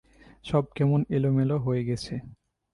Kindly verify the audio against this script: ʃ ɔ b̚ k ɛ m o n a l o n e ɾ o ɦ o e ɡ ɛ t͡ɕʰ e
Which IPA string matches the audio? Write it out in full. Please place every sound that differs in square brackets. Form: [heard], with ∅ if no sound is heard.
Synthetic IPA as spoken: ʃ ɔ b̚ k ɛ m o n [e] l o [m] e [l] o ɦ o e ɡ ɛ t͡ɕʰ e